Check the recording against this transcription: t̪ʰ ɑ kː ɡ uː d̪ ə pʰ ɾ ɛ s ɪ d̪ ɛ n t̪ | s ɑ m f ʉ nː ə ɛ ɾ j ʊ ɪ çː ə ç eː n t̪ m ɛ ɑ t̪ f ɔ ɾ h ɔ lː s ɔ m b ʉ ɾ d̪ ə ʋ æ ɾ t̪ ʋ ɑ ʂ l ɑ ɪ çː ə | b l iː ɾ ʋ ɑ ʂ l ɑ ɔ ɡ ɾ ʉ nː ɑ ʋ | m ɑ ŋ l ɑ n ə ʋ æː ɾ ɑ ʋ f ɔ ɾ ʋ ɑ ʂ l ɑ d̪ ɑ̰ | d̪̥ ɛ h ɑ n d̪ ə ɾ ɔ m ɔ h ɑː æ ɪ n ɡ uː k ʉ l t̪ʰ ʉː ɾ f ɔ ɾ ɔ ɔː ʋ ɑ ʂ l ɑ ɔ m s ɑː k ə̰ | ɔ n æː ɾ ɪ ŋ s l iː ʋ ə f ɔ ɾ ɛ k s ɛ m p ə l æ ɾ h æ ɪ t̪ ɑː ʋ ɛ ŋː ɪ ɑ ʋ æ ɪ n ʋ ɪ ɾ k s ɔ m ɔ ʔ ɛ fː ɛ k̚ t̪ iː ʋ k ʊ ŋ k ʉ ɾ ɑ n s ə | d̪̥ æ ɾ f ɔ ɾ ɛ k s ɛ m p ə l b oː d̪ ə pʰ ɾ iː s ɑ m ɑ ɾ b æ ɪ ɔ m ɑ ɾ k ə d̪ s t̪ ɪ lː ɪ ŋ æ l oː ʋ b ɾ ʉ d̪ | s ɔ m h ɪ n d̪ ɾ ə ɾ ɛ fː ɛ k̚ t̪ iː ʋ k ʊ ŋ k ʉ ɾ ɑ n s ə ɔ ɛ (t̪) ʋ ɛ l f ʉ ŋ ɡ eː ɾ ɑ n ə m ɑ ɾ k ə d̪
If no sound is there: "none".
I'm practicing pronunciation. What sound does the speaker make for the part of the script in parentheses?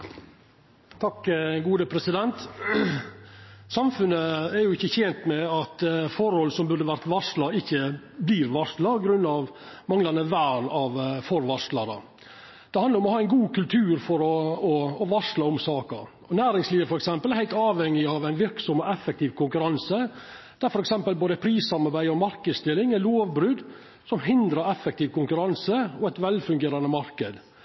t̪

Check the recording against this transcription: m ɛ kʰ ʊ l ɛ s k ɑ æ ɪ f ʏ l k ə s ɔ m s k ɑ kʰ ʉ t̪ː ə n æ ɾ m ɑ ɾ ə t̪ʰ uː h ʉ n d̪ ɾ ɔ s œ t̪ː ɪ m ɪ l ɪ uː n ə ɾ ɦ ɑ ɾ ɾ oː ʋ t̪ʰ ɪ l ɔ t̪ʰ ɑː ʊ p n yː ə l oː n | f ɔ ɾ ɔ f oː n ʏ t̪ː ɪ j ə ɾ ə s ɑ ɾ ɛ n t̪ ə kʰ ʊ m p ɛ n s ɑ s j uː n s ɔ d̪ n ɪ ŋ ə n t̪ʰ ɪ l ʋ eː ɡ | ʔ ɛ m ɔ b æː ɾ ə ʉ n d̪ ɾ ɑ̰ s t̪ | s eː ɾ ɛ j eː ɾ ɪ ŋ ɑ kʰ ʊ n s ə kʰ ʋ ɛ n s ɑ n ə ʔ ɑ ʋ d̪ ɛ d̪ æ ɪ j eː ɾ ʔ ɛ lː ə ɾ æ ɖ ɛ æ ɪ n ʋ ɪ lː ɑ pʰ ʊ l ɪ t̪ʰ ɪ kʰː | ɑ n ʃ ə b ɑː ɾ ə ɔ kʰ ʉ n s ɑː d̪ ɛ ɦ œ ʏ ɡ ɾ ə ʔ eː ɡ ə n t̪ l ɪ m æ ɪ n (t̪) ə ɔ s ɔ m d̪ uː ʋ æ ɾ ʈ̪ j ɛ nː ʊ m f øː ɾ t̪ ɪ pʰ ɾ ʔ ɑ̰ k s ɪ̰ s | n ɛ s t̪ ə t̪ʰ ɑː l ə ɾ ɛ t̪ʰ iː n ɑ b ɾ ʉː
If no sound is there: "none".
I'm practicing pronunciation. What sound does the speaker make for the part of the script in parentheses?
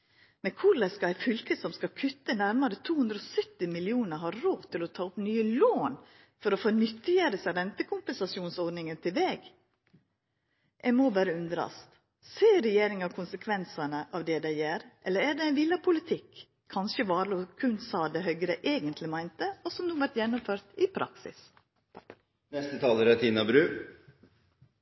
t̪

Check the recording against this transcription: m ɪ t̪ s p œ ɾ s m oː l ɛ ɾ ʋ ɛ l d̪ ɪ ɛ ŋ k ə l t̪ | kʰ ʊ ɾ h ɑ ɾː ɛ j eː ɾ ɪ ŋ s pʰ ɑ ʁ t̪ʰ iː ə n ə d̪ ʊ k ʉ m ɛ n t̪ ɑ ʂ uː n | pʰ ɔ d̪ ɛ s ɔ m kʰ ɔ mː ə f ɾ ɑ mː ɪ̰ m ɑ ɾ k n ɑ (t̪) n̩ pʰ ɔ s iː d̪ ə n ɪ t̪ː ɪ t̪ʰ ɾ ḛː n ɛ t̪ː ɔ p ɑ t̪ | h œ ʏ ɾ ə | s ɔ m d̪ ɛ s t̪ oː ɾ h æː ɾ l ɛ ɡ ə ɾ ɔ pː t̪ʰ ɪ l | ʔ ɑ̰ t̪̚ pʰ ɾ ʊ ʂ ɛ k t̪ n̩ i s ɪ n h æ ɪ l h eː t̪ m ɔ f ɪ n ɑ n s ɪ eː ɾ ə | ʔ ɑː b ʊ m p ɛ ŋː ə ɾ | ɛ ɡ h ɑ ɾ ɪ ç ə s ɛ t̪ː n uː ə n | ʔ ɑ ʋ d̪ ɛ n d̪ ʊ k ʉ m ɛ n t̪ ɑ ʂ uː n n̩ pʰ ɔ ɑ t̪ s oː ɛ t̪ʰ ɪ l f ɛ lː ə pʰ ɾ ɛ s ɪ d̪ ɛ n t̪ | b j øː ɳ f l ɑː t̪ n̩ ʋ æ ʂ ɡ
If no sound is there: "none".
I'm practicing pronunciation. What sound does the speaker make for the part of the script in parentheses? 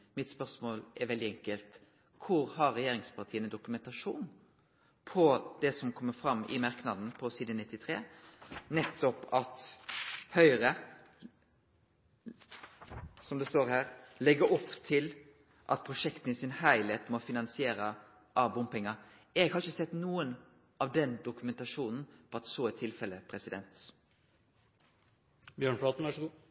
d̪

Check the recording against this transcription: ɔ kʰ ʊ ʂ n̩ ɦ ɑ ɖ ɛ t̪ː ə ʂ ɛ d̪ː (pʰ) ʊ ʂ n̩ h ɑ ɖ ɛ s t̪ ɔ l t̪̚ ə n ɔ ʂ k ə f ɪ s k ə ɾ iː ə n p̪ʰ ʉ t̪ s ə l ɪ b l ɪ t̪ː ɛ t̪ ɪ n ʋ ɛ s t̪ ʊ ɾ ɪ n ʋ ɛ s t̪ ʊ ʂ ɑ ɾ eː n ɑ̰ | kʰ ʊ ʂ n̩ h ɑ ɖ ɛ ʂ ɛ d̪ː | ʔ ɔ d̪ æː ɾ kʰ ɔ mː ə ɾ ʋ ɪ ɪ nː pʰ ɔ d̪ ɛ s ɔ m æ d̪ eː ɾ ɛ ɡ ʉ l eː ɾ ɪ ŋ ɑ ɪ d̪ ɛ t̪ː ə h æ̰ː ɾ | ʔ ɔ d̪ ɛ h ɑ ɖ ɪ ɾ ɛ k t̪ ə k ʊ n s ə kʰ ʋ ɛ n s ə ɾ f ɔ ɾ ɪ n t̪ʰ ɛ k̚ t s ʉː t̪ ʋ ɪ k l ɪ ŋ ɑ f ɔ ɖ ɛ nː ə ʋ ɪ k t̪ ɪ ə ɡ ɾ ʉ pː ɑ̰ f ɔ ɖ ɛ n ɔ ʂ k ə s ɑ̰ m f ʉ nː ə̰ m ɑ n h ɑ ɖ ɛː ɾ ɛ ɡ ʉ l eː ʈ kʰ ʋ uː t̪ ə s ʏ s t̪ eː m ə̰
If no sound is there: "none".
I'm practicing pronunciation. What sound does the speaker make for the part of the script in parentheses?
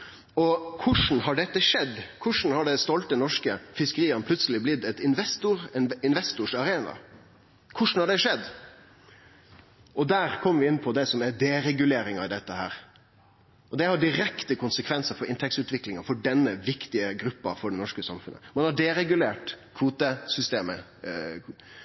kʰ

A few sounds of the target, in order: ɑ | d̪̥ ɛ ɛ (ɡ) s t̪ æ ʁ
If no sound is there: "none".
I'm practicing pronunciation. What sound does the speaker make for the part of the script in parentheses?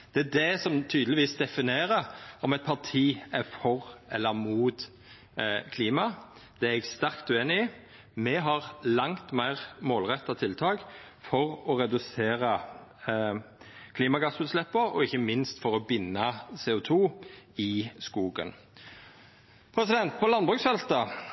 ɡ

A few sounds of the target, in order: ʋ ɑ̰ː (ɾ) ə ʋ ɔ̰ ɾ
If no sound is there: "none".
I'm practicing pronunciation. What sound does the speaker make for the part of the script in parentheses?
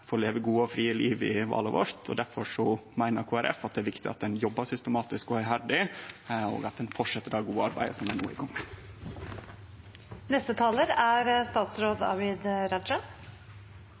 l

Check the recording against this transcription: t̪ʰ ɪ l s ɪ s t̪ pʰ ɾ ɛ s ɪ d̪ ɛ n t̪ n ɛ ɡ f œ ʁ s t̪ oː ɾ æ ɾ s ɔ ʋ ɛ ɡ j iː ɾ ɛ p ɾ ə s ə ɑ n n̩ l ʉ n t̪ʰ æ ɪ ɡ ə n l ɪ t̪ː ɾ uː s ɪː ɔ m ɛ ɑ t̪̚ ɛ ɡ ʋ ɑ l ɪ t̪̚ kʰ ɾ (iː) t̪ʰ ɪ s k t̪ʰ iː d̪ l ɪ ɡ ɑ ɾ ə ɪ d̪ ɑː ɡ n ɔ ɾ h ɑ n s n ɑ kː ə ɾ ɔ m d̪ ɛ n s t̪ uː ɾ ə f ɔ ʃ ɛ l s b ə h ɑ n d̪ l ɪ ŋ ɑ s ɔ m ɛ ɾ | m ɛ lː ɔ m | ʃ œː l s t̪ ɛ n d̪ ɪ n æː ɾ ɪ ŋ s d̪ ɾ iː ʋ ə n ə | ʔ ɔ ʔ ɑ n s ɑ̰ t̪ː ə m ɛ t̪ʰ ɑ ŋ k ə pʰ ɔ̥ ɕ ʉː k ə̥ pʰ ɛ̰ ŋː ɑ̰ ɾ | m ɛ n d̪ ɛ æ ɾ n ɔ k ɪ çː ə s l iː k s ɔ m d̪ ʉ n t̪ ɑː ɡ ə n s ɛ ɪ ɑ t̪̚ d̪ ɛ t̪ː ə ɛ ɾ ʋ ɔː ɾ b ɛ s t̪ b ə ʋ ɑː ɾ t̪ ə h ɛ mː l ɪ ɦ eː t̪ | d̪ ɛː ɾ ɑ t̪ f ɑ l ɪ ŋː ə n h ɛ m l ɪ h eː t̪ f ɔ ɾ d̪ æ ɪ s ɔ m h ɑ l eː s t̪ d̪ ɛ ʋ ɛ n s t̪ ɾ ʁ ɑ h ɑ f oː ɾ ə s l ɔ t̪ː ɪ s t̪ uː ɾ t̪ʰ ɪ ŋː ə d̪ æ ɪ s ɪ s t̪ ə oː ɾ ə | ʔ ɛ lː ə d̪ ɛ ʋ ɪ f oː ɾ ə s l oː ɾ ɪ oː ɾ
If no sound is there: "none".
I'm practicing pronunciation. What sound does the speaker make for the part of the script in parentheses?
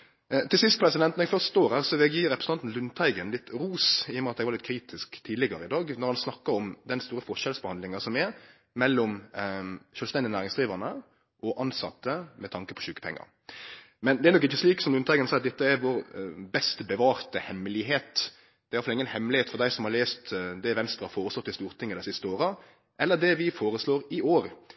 iː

